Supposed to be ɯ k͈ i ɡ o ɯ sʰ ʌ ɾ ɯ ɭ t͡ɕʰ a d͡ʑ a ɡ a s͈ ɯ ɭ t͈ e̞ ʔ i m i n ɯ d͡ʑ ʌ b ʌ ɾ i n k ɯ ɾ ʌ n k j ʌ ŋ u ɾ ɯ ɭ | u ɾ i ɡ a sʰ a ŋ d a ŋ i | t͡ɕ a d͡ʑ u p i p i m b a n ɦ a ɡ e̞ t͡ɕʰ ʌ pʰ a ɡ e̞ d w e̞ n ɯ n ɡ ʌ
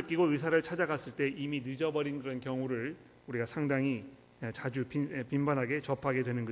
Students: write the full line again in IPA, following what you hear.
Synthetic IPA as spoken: ɯ k͈ i ɡ o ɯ sʰ a ɾ ɯ ɭ t͡ɕʰ a d͡ʑ a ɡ a s͈ ɯ ɭ t͈ e̞ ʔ i m i n ɯ d͡ʑ ʌ b ʌ ɾ i n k ɯ ɾ ʌ n k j ʌ ŋ u ɾ ɯ ɭ | u ɾ i ɡ a sʰ a ŋ d a ŋ i | t͡ɕ a d͡ʑ u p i p i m b a n ɦ a ɡ e̞ t͡ɕ ʌ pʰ a ɡ e̞ d w e̞ n ɯ n ɡ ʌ